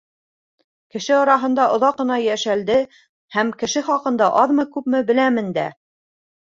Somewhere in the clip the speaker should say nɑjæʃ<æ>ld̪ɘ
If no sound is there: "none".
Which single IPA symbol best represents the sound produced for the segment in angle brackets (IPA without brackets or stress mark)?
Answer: æ